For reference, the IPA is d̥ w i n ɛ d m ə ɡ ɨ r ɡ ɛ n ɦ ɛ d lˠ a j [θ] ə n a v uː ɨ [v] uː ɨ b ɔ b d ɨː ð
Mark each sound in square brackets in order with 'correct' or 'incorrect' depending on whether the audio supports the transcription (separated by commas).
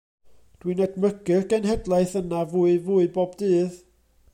correct, correct